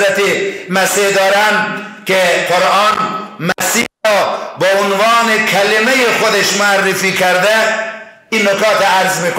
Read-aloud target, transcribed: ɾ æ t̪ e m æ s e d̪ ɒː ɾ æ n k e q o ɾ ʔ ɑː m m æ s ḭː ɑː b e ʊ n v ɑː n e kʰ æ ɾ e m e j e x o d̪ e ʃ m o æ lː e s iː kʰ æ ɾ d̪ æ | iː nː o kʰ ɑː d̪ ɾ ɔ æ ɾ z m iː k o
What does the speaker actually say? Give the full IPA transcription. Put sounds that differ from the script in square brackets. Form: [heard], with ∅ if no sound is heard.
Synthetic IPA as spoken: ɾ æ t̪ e m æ s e d̪ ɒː ɾ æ n k e q o ɾ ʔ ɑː [n] m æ s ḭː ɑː b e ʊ n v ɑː n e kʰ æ [l] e m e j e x o d̪ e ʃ m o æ [rː] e [f] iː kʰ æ ɾ d̪ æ | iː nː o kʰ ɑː [t̪] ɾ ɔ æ ɾ z m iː k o